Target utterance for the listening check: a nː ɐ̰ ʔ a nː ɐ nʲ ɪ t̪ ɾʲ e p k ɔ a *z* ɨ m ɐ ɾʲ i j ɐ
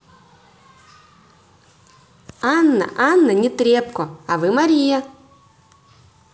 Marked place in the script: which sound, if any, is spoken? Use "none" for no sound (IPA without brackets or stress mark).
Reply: v